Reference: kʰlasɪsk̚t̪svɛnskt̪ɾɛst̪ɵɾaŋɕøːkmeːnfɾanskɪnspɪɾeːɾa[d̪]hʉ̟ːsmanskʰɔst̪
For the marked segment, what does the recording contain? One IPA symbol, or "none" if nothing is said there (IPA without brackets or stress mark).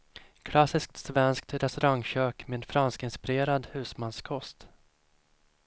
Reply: d̪